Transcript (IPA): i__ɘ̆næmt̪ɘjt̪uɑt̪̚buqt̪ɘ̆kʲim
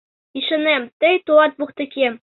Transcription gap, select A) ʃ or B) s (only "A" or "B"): A